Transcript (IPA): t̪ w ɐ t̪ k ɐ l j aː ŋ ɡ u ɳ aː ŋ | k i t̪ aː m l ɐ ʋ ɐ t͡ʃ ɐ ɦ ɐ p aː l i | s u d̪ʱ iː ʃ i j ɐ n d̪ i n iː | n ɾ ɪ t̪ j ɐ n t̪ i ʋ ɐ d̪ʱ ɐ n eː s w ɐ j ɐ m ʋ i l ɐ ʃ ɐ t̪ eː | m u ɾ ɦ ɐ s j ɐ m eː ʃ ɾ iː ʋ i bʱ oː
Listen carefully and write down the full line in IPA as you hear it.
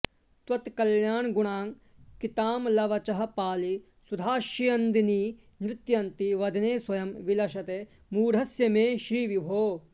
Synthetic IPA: t̪ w ɐ t̪ k ɐ l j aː ɳ ɡ u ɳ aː ŋ | k i t̪ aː m l ɐ ʋ ɐ t͡ʃ ɐ ɦ ɐ p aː l i | s u d̪ʱ aː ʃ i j ɐ n d̪ i n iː | n ɾ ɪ t̪ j ɐ n t̪ i ʋ ɐ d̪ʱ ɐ n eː s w ɐ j ɐ m ʋ i l ɐ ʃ ɐ t̪ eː | m uː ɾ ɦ ɐ s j ɐ m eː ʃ ɾ iː ʋ i bʱ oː